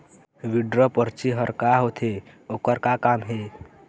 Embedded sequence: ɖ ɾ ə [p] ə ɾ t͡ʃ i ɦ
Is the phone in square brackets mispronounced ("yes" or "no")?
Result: no